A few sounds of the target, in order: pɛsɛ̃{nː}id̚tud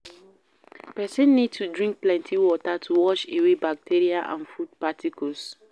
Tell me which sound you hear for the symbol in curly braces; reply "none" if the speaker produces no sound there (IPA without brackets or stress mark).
nː